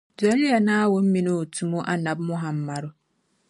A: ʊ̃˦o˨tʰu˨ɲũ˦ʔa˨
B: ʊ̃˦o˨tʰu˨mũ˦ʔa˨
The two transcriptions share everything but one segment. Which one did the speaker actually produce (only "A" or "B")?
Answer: B